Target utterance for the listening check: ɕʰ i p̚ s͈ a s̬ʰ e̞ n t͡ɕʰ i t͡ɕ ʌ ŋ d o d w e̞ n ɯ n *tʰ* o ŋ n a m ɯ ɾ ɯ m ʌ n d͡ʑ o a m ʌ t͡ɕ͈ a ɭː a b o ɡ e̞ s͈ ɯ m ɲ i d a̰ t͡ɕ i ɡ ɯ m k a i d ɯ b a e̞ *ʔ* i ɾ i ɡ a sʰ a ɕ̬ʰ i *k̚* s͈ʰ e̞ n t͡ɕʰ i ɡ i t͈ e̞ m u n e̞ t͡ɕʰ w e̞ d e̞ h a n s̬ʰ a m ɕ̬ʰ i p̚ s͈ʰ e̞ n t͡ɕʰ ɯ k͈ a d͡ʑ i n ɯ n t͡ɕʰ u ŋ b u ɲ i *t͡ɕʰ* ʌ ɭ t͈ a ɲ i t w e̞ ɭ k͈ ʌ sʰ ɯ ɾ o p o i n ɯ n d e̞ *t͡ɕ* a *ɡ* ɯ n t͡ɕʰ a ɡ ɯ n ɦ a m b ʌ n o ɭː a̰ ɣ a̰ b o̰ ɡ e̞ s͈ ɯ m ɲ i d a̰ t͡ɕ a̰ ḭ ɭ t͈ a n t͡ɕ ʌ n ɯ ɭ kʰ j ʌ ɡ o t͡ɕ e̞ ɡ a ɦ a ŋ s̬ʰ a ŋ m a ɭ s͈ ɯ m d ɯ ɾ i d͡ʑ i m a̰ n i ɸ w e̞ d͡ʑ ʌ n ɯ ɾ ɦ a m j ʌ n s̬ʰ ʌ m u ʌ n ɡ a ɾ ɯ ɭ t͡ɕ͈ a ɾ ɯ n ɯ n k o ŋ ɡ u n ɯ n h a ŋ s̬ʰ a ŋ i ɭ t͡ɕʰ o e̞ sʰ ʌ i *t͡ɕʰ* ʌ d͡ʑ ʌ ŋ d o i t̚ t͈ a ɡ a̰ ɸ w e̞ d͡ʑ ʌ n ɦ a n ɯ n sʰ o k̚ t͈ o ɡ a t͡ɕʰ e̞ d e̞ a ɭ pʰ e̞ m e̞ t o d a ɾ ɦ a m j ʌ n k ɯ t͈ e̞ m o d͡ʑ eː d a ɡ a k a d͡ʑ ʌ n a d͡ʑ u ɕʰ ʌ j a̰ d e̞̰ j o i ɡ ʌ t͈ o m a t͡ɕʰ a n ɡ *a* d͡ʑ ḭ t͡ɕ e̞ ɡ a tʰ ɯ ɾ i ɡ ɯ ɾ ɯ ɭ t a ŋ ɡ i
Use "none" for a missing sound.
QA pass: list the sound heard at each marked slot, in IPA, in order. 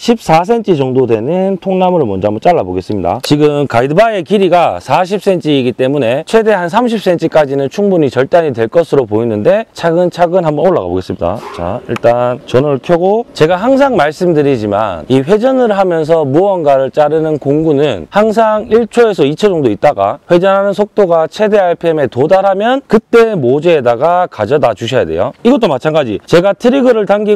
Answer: tʰ, k, p̚, t͡ɕ, t͡ɕʰ, ɡ, t͡ɕʰ, a

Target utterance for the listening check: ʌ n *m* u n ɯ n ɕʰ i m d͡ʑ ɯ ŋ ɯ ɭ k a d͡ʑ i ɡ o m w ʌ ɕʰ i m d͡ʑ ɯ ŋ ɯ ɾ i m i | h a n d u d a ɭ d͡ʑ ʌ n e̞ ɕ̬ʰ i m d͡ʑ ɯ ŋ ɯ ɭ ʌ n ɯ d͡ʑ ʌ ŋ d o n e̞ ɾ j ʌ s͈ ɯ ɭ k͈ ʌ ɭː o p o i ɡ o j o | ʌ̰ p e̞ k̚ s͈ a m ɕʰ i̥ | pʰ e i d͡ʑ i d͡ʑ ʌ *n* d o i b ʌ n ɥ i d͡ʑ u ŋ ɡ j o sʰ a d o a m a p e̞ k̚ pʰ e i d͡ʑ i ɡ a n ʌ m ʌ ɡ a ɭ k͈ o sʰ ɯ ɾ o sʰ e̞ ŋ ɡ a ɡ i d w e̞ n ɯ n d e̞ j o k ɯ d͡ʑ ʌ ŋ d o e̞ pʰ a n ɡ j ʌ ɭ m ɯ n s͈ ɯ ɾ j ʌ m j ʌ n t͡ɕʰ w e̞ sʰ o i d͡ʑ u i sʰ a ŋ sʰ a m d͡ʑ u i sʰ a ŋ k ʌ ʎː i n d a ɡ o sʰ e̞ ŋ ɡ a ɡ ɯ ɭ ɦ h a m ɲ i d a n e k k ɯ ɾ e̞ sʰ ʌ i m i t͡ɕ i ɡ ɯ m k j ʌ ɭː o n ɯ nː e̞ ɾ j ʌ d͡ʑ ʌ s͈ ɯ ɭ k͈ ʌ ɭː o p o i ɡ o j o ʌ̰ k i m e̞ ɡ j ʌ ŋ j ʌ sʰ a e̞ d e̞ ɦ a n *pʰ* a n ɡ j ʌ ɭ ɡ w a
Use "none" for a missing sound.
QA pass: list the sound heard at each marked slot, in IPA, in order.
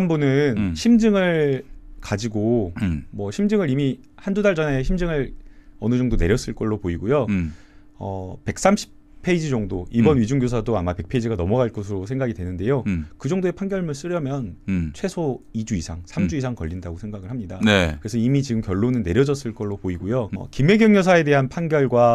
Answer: b, ŋ, pʰ

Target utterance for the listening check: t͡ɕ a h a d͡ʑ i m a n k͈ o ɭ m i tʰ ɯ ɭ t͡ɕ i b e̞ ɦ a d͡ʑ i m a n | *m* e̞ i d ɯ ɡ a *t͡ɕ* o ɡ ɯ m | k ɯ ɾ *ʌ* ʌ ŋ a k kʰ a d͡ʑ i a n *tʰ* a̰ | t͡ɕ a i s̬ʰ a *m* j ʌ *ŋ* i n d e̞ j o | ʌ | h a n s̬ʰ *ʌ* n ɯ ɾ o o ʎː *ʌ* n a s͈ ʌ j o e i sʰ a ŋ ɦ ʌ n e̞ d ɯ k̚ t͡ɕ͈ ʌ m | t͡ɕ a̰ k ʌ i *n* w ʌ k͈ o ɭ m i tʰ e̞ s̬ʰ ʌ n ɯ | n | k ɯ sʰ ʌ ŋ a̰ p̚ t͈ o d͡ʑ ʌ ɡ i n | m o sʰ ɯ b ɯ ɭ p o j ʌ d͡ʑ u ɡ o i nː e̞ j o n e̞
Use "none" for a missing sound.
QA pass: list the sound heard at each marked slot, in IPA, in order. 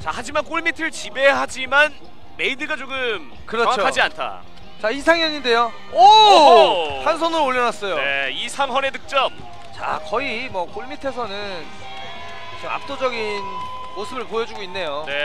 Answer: m, t͡ɕ, ʌ, tʰ, ŋ, ɲ, ʌ, ʌ, m

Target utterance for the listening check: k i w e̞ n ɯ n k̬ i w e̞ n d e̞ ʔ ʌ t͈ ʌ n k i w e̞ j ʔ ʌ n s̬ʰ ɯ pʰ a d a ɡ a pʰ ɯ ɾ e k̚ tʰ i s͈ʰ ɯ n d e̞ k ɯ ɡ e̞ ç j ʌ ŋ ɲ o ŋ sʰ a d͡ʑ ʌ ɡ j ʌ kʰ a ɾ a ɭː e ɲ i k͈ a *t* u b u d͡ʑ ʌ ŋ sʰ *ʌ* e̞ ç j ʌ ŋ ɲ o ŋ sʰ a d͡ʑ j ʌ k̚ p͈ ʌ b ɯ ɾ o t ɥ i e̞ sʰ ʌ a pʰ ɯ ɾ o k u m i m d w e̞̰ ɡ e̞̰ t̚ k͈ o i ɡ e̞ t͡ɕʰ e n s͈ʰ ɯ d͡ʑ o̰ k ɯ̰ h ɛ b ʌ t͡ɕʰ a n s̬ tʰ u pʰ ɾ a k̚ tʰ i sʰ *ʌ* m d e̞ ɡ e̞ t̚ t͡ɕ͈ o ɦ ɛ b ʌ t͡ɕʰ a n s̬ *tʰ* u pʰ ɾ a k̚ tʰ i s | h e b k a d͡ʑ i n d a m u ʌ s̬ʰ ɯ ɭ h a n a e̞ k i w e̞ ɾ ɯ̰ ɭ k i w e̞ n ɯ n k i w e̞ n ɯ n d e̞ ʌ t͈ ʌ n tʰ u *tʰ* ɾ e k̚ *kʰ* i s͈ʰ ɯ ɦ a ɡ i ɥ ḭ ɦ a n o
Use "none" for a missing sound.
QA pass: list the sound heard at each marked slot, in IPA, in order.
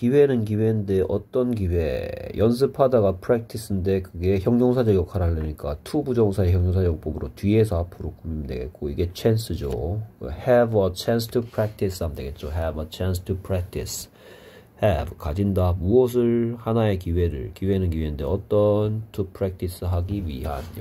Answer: tʰ, a, a, tʰ, pʰ, tʰ

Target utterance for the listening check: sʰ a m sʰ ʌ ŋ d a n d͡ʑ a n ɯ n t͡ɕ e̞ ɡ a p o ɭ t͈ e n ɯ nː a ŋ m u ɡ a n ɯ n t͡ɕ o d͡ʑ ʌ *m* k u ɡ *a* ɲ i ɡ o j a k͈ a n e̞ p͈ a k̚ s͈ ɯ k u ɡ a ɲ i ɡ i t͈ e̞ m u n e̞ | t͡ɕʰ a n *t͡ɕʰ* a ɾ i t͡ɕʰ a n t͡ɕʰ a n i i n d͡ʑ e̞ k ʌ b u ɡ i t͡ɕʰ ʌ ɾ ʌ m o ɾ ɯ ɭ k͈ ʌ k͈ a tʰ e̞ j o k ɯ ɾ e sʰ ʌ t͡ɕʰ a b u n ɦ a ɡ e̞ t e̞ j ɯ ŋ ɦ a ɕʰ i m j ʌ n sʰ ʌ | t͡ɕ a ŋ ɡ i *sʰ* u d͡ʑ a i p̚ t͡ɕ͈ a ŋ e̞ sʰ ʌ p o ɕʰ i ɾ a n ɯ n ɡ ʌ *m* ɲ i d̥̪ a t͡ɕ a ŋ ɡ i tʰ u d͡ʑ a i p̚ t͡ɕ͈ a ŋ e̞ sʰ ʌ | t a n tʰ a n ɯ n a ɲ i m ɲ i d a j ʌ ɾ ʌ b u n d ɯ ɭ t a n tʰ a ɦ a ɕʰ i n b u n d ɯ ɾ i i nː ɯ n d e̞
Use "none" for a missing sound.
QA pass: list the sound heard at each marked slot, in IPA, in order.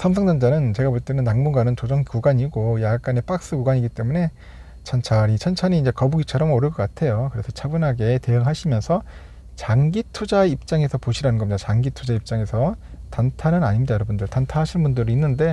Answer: ŋ, a, t͡ɕʰ, tʰ, m

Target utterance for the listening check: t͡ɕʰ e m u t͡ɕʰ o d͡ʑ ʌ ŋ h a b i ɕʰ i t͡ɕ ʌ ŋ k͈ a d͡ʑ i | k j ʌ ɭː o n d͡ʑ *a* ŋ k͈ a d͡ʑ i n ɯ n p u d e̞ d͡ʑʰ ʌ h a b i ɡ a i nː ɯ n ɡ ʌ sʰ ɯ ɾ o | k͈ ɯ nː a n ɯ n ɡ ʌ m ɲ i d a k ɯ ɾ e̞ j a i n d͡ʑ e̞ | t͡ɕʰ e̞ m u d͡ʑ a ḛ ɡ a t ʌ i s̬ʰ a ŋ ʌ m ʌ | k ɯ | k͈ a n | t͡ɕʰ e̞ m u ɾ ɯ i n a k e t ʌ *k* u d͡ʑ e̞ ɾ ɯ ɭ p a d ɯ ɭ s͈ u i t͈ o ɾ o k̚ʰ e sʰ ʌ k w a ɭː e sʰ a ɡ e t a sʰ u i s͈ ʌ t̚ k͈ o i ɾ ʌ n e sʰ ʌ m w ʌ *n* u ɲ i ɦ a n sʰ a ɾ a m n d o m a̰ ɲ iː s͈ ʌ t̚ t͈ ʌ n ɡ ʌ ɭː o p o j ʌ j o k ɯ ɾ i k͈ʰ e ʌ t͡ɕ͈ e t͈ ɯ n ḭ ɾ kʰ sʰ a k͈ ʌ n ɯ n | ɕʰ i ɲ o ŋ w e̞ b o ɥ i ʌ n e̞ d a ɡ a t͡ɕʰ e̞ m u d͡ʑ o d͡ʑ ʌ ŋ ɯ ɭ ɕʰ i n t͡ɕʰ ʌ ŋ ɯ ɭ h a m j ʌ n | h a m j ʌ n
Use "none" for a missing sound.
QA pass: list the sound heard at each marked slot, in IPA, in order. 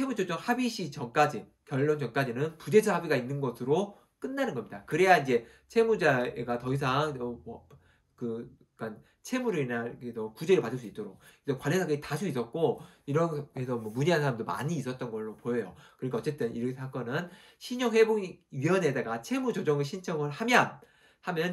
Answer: ʌ, k, m

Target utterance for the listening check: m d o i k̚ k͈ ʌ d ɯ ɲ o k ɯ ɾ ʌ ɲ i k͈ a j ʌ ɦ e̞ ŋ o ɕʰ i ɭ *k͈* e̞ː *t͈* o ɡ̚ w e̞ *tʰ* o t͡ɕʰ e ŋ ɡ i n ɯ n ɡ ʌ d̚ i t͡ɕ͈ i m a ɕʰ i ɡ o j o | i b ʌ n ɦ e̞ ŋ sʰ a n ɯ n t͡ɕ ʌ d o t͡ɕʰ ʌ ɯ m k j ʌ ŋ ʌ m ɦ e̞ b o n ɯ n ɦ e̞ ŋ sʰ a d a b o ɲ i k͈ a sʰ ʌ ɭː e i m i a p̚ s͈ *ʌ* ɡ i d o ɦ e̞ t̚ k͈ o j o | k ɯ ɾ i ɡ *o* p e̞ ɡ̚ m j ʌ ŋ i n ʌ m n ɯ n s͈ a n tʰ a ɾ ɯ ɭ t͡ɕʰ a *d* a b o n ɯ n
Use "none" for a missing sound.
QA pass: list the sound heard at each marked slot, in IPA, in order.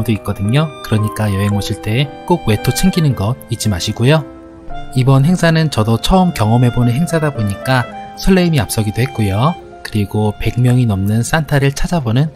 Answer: t͈, k͈, tʰ, ʌ, o, d͡ʑ

